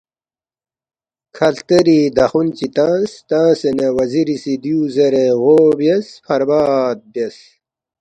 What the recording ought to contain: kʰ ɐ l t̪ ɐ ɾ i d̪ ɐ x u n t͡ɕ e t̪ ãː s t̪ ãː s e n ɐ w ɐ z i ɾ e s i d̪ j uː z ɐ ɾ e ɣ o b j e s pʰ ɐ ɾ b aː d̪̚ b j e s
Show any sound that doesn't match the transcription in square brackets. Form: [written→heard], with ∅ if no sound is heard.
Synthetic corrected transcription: kʰ ɐ l t̪ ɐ ɾ i d̪ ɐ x u n t͡ɕ [e→i] t̪ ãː s t̪ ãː s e n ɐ w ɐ z i ɾ [e→i] s i d̪ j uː z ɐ ɾ e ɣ o b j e s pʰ ɐ ɾ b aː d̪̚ b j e s

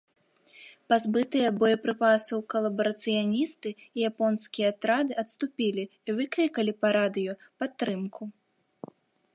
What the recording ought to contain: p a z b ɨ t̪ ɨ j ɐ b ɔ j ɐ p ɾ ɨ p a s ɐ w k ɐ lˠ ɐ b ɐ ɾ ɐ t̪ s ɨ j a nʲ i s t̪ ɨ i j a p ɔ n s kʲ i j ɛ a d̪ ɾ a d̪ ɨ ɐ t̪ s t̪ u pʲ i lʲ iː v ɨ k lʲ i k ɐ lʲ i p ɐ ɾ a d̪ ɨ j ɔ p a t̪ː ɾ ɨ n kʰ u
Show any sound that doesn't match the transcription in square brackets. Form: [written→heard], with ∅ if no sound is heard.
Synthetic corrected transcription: p a z b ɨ t̪ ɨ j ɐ b ɔ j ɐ p ɾ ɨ p a s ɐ w k ɐ lˠ ɐ b ɐ ɾ ɐ t̪ s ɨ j a nʲ i s t̪ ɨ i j a p ɔ n s kʲ i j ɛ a [d̪→t̪] ɾ a d̪ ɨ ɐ t̪ s t̪ u pʲ i lʲ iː v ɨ k lʲ i k ɐ lʲ i p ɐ ɾ a d̪ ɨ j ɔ p a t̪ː ɾ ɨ [n→m] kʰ u

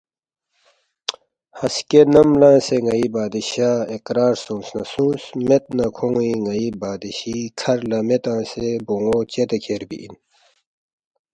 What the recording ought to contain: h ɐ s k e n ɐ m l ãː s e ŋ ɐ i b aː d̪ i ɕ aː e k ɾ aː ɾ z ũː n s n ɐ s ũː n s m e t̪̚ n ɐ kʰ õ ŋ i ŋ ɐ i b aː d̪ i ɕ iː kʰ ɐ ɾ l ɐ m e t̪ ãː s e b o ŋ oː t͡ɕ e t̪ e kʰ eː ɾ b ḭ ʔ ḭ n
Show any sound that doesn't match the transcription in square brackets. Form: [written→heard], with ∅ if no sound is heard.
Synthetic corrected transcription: h ɐ s k e n ɐ m l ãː s e ŋ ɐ i b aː d̪ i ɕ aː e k ɾ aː ɾ [z→s] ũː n s n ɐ s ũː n s m e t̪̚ n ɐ kʰ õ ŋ i ŋ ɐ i b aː d̪ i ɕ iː kʰ ɐ ɾ l ɐ m e t̪ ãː s e b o ŋ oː t͡ɕ e t̪ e kʰ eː ɾ b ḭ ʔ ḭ n

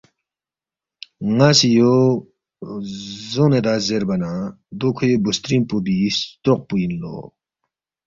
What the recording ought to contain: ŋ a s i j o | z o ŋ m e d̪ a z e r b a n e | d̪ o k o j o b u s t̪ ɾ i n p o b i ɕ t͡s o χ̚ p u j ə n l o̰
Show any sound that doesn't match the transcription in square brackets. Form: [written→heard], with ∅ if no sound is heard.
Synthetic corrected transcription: ŋ a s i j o | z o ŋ [m→n] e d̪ a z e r b a n [e→a] | d̪ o [k→kʰ] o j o b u s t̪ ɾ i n p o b i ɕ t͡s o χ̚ p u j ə n l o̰

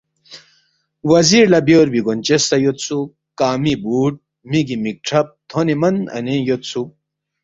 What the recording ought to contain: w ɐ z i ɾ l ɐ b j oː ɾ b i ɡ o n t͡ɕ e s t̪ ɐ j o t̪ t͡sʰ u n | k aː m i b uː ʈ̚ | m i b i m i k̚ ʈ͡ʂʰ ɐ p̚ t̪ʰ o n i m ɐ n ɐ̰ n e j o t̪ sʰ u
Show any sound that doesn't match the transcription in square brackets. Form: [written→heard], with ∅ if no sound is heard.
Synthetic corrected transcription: w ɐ z i ɾ l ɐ b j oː ɾ b i ɡ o n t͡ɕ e s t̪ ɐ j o t̪ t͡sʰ u [n→∅] | k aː m i b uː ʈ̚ | m i [b→ɡ] i m i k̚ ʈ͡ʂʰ ɐ p̚ t̪ʰ o n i m ɐ n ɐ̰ n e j o t̪ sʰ u

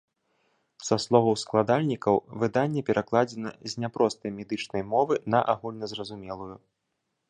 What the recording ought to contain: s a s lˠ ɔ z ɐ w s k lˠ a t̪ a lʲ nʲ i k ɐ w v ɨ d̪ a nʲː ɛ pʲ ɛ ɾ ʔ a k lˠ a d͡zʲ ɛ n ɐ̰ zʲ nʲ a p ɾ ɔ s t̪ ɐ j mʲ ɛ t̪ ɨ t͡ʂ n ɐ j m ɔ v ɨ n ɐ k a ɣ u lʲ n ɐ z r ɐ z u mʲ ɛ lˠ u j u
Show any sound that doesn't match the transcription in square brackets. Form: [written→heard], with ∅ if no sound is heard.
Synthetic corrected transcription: s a s lˠ ɔ [z→v] ɐ w s k lˠ a [t̪→d̪] a lʲ nʲ i k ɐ w v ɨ d̪ a nʲː ɛ pʲ ɛ ɾ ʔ a k lˠ a d͡zʲ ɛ n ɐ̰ zʲ nʲ a p ɾ ɔ s t̪ ɐ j mʲ ɛ [t̪→d̪] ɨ t͡ʂ n ɐ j m ɔ v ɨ n ɐ [k→ʔ] a ɣ u lʲ n ɐ z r ɐ z u mʲ ɛ lˠ u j u

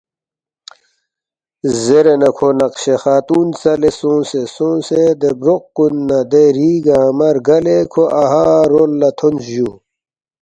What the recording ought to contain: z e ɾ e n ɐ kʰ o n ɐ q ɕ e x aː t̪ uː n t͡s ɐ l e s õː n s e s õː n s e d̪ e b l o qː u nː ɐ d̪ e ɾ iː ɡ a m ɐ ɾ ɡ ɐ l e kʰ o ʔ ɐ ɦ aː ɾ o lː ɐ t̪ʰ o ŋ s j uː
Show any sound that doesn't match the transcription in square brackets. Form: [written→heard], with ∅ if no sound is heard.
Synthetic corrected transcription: z e ɾ e n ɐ kʰ o n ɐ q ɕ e x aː t̪ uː n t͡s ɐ l e s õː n s e s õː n s e d̪ e b [l→ɾ] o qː u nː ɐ d̪ e ɾ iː ɡ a m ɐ ɾ ɡ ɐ l e kʰ o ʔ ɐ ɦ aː ɾ o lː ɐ t̪ʰ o [ŋ→n] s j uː

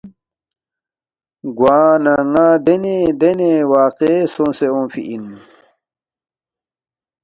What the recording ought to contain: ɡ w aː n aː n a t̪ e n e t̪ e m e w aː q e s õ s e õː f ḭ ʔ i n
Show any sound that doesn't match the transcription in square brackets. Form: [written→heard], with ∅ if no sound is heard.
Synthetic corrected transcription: ɡ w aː n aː [n→ŋ] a [t̪→d̪] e n e [t̪→d̪] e [m→n] e w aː q e s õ s e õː f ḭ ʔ i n

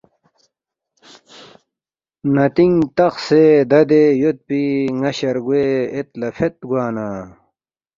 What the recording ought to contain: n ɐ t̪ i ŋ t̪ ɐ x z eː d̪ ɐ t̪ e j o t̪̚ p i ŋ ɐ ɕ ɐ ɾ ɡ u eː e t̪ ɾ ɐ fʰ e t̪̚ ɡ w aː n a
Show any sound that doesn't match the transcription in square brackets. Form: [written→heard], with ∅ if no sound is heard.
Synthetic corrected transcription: n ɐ t̪ i ŋ t̪ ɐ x [z→s] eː d̪ ɐ [t̪→d̪] e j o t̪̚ p i ŋ ɐ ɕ ɐ ɾ ɡ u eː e t̪ [ɾ→l] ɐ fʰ e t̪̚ ɡ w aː n a

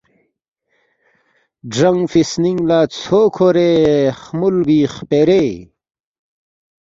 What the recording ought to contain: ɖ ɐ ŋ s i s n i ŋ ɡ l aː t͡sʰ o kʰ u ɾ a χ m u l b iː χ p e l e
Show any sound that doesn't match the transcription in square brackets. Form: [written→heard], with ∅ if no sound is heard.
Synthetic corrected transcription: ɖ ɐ ŋ [s→f] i s n i ŋ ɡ l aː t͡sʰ o kʰ [u→o] ɾ [a→e] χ m u l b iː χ p e [l→ɾ] e

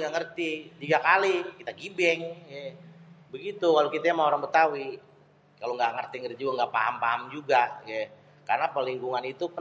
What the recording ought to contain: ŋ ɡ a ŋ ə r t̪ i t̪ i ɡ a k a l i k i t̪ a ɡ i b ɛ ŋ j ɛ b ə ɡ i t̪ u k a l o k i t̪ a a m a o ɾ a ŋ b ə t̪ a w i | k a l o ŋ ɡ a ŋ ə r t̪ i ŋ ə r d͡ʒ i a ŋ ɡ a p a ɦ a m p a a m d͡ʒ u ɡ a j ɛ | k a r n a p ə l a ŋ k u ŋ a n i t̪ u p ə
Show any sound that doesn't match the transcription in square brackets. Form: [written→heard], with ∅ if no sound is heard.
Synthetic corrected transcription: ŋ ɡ a ŋ ə r t̪ i t̪ i ɡ a k a l i k i t̪ a ɡ i b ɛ ŋ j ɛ b ə ɡ i t̪ u k a l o k i t̪ a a m a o ɾ a ŋ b ə t̪ a w i | k a l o ŋ ɡ a ŋ ə r t̪ i ŋ ə r d͡ʒ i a ŋ ɡ a p a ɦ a m p a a m d͡ʒ u ɡ a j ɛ | k a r n a p ə l [a→i] ŋ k u ŋ a n i t̪ u p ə

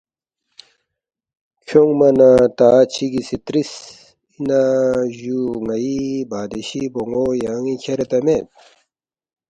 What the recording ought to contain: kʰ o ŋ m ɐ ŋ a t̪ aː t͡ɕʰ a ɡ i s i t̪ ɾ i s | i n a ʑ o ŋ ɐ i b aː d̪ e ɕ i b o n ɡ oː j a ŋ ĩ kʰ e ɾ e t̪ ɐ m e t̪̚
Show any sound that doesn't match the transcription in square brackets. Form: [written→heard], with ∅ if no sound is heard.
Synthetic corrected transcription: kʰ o ŋ m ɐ [ŋ→n] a t̪ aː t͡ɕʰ [a→i] ɡ i s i t̪ ɾ i s | i n a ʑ [o→u] ŋ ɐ i b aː d̪ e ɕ i b o [n→ŋ] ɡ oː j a ŋ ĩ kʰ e ɾ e t̪ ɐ m e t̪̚

